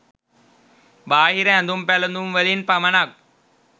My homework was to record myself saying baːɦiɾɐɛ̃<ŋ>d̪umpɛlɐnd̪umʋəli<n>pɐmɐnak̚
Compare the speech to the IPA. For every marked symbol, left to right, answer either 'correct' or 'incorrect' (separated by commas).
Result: incorrect, correct